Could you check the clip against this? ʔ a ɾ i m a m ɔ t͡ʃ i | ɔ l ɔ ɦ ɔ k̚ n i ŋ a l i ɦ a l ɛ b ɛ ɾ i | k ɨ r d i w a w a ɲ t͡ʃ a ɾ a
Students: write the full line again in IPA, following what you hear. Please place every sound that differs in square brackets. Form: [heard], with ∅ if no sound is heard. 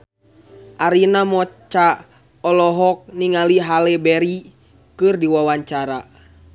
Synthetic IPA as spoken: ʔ a ɾ i [n] a m ɔ t͡ʃ [a] | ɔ l ɔ ɦ ɔ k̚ n i ŋ a l i ɦ a l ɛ b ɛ ɾ i | k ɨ r d i w a w a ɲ t͡ʃ a ɾ a